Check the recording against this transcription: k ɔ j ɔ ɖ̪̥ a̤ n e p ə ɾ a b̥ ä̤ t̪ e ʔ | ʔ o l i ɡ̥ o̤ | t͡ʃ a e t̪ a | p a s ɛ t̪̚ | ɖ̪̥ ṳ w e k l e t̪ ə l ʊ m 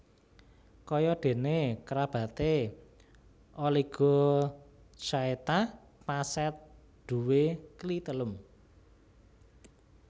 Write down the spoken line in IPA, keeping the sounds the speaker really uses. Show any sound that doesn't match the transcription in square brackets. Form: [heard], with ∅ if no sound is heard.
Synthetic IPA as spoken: k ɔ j ɔ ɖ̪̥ [e̤] n e [k] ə ɾ a b̥ ä̤ t̪ e [∅] | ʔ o l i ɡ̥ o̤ | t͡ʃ a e t̪ a | p a s ɛ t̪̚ | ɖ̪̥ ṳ w e k l [i] t̪ ə l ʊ m

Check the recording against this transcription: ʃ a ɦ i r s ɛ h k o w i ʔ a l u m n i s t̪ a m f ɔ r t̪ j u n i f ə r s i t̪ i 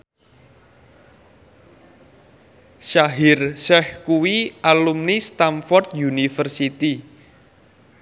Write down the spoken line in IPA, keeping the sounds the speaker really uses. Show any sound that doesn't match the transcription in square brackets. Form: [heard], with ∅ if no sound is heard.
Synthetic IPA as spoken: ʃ a ɦ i r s ɛ h k [u] w i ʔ a l u m n i s t̪ a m f ɔ r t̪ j u n i f ə r s i t̪ i

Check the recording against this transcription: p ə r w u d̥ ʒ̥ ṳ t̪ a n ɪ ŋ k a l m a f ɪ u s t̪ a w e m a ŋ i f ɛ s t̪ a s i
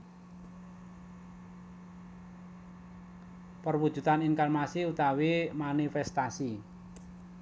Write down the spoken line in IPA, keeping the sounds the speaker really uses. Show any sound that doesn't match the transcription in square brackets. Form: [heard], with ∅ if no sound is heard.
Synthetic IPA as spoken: p ə r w u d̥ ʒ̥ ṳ t̪ a n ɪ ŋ k a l m a [s] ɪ u [∅] t̪ a w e m a [n] i f ɛ s t̪ a s i

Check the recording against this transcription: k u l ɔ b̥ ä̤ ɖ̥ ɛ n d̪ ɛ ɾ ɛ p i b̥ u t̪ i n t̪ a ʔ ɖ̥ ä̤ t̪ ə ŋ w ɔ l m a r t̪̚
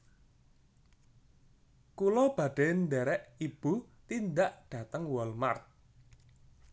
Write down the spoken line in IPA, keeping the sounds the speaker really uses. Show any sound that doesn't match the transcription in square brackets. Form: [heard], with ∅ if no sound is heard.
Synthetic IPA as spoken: k u l ɔ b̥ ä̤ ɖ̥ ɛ n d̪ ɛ ɾ ɛ [ʔ] i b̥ u t̪ i n [d̪] a ʔ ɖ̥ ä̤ t̪ ə ŋ w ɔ l m a r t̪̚

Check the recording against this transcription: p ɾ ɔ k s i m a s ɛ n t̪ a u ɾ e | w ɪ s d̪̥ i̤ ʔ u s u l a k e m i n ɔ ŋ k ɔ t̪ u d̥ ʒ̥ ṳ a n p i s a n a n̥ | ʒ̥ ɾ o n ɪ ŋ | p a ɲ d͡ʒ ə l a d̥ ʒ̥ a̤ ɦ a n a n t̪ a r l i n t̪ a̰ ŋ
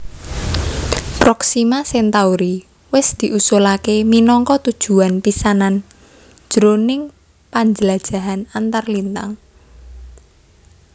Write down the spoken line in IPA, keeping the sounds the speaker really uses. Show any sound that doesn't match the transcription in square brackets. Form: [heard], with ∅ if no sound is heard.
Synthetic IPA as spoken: p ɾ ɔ k s i m a s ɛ n t̪ a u ɾ [i] | w ɪ s d̪̥ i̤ ʔ u s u l a k e m i n ɔ ŋ k ɔ t̪ u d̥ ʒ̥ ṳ a n p i s a n a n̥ | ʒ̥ ɾ o n ɪ ŋ | p a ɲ d͡ʒ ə l a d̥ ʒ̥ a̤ ɦ a n a n t̪ a r l i n t̪ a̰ ŋ

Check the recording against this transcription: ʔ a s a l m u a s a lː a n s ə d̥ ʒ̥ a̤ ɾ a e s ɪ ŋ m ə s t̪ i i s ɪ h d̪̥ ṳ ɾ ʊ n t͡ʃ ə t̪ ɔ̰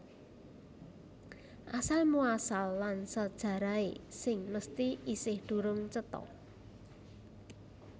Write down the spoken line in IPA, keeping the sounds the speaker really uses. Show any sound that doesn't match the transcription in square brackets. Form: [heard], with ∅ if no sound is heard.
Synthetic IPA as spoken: ʔ a s a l m u a s a lː a n s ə d̥ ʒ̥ a̤ ɾ a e s ɪ ŋ m ə s t̪ i i s ɪ h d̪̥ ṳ ɾ ʊ [ŋ] t͡ʃ ə t̪ ɔ̰

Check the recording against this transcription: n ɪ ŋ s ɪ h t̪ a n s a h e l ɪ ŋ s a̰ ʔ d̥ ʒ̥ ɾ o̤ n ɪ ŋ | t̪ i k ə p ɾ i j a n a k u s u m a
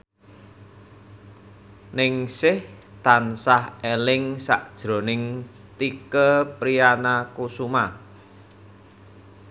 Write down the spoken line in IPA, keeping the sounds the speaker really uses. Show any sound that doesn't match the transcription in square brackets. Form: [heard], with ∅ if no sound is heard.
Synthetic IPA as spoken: n ɪ ŋ s ɪ h t̪ a n s a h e l ɪ ŋ s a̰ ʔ d̥ ʒ̥ ɾ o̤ n ɪ ŋ | t̪ i k ə p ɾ i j a n a k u s u m a

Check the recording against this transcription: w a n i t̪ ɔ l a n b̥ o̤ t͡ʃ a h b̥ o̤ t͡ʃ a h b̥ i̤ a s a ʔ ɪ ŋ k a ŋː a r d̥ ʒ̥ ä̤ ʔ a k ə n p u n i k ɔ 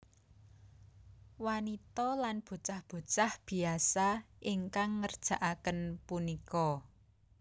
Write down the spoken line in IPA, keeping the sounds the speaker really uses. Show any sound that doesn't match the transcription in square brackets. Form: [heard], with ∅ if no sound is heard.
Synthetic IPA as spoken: w a n i t̪ ɔ l a n b̥ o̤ t͡ʃ a h b̥ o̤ t͡ʃ a h b̥ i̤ a s a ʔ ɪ ŋ k a ŋː [ə] r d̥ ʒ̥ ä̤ ʔ a k ə n p u n i k ɔ

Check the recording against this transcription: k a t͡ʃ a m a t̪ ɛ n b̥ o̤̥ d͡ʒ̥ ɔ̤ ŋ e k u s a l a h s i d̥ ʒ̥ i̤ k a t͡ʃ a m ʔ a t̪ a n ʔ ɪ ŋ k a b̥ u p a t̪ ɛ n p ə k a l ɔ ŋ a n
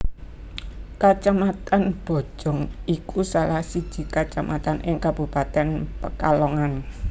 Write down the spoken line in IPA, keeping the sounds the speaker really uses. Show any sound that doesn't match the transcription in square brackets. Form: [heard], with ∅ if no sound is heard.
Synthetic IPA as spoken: k a t͡ʃ a m a t̪ [a] n b̥ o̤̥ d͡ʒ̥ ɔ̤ ŋ [i] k u s a l a h s i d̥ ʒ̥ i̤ k a t͡ʃ a m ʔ a t̪ a n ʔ ɪ ŋ k a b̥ u p a t̪ ɛ n p ə k a l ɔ ŋ a n

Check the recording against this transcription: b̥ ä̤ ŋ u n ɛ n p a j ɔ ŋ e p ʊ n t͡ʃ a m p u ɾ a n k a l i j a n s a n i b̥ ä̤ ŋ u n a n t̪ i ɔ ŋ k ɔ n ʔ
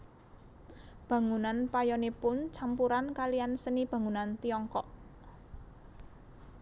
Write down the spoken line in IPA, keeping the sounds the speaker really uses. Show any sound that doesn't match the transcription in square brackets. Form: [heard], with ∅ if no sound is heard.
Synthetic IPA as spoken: b̥ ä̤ ŋ u n [a] n p a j ɔ [n] e p ʊ n t͡ʃ a m p u ɾ a n k a l i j a n s [ə] n i b̥ ä̤ ŋ u n a n t̪ i ɔ ŋ k ɔ [∅] ʔ

